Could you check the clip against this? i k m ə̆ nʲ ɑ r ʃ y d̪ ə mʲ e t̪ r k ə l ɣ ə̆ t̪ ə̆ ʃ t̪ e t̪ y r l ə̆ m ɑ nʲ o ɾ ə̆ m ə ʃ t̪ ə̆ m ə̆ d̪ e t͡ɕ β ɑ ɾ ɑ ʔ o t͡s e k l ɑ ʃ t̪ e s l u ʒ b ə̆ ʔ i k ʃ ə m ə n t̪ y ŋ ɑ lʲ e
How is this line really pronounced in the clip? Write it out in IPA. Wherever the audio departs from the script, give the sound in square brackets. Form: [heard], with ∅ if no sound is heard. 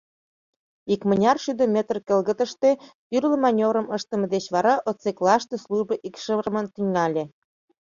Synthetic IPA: i k m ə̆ nʲ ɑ r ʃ y d̪ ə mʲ e t̪ r k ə l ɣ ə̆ t̪ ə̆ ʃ t̪ e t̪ y r l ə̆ m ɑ nʲ o ɾ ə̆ m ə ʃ t̪ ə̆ m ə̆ d̪ e t͡ɕ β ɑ ɾ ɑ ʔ o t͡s e k l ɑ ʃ t̪ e s l u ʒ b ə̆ ʔ i k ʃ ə m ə n t̪ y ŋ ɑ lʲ e